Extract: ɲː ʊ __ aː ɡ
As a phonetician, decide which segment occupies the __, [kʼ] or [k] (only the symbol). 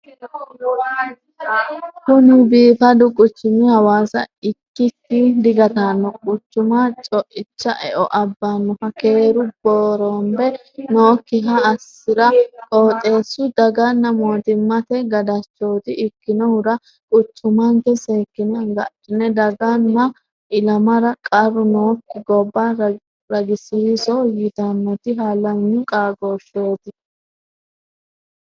kʼ